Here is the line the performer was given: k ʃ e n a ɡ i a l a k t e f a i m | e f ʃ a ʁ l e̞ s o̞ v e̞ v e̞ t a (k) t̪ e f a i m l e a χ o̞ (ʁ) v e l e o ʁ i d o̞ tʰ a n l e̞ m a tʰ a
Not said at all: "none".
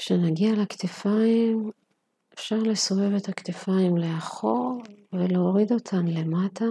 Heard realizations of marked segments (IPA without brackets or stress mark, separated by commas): k, ʁ